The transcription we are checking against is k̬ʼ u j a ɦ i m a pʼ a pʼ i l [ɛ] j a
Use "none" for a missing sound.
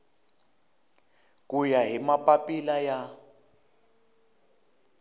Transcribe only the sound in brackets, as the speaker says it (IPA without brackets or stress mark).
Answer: a